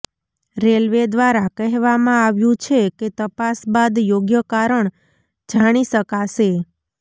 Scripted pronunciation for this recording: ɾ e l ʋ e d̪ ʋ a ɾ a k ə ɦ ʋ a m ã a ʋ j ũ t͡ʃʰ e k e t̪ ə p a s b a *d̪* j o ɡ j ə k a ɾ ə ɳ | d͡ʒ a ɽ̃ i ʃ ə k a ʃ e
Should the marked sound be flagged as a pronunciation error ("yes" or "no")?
no